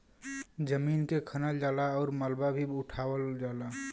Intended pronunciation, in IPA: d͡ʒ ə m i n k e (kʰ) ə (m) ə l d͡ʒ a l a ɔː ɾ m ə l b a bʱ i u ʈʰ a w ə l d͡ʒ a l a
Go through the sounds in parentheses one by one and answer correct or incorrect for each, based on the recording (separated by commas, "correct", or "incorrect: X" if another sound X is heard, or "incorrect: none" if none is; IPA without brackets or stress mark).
correct, incorrect: n